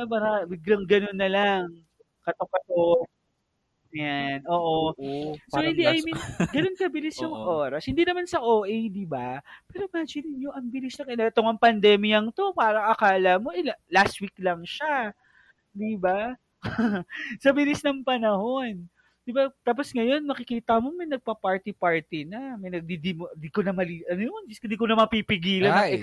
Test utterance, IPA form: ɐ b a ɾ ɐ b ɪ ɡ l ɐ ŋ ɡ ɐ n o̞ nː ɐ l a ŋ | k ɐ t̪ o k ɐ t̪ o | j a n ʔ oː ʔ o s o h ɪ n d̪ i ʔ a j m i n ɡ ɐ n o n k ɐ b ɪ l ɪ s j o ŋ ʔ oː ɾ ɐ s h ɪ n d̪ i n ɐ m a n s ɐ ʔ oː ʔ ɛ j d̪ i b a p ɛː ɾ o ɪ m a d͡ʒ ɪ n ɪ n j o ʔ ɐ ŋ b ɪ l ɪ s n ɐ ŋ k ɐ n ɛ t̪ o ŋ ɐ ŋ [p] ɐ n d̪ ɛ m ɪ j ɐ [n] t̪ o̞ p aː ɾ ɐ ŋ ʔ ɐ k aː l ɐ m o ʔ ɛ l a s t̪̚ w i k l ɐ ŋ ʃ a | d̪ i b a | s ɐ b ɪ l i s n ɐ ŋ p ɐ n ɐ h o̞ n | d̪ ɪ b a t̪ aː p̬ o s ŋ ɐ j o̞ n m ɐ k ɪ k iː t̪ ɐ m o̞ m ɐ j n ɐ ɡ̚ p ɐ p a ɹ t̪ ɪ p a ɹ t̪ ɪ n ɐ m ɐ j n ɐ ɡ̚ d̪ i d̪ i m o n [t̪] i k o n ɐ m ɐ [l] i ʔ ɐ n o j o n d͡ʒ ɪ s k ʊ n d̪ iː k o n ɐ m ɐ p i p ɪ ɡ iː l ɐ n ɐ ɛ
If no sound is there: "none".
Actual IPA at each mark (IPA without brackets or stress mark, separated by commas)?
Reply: p, ŋ, d̪, l